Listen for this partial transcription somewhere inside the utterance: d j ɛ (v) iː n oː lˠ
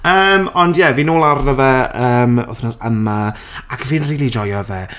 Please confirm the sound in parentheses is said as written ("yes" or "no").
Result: yes